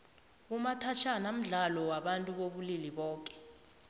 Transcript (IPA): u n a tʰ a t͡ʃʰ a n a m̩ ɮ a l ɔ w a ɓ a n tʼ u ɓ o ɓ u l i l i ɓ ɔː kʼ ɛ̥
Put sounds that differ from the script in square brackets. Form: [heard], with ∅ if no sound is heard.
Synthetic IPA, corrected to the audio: u [m] a tʰ a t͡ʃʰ a n a m̩ ɮ a l ɔ w a ɓ a n tʼ u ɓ o ɓ u l i l i ɓ ɔː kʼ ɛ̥